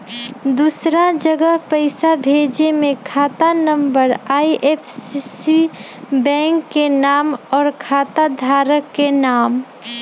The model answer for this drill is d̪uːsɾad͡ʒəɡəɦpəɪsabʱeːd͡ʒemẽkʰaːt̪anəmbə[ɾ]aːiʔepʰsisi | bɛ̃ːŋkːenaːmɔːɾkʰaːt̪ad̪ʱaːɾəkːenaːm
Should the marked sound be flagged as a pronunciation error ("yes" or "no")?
no